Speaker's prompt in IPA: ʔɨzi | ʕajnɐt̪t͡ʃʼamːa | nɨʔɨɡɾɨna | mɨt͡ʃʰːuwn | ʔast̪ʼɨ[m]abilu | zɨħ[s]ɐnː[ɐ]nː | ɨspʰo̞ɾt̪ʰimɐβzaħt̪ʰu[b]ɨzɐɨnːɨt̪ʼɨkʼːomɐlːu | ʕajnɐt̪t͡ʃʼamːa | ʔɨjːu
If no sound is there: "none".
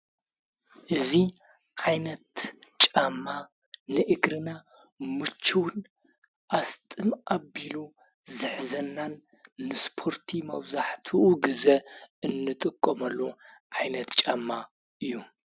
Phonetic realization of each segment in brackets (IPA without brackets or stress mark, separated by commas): m, z, a, ɡ